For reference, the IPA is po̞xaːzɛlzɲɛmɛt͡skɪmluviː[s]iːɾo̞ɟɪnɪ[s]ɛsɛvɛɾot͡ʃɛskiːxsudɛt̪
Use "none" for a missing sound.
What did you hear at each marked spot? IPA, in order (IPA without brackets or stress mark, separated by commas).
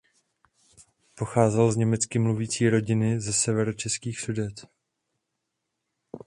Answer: t͡s, z